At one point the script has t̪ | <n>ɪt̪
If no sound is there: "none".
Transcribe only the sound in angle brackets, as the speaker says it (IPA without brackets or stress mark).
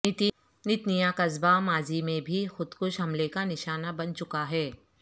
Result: n